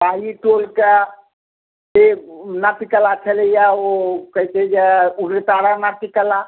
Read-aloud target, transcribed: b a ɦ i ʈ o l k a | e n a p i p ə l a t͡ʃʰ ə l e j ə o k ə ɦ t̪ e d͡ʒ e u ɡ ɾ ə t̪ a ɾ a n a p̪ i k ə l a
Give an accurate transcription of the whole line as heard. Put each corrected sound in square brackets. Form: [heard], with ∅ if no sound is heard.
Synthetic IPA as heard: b a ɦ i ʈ o l k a | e n a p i [k] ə l a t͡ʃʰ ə l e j [a] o k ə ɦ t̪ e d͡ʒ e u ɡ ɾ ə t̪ a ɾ a n a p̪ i k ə l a